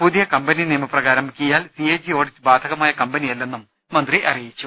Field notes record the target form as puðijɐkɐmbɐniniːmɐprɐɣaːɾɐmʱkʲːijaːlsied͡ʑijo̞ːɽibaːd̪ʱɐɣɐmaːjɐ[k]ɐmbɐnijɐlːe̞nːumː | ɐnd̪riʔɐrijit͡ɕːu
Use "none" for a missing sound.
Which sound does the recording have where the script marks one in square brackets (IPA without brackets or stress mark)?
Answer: k